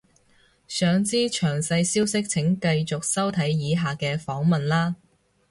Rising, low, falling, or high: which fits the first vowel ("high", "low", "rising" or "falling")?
low